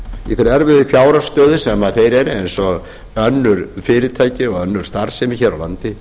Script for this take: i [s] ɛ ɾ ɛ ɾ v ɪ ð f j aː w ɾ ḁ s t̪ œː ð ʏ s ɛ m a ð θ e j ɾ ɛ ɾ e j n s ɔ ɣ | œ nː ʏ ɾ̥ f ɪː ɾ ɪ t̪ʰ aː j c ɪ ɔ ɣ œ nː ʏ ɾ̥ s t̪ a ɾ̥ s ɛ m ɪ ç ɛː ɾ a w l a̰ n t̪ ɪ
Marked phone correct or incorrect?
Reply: incorrect